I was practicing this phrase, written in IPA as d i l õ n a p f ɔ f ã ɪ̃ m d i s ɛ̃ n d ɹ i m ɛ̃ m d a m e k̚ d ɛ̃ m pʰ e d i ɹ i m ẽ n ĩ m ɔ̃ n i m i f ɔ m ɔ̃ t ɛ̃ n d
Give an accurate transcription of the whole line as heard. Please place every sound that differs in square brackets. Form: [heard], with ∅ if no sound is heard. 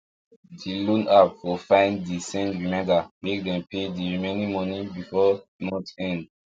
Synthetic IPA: d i l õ n a p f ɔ f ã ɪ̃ [n] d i s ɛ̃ n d ɹ i m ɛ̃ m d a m e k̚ d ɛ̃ m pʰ e d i ɹ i m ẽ n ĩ m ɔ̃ n i [b] i f ɔ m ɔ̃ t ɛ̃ n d